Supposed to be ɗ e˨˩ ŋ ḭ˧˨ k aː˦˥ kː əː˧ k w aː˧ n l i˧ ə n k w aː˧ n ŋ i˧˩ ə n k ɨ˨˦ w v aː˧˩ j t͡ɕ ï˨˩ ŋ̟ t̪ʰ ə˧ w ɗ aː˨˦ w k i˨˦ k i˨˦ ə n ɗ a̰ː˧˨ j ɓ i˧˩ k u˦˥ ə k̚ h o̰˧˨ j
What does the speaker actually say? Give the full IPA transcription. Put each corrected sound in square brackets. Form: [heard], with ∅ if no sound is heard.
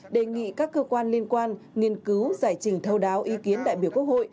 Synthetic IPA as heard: ɗ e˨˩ ŋ ḭ˧˨ k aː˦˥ kː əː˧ k w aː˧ n l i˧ ə n k w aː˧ n ŋ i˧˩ ə n k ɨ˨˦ w [z] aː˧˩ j t͡ɕ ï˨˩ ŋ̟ t̪ʰ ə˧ w ɗ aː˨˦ w [ʔ] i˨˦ k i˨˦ ə n ɗ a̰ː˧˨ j ɓ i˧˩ k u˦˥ ə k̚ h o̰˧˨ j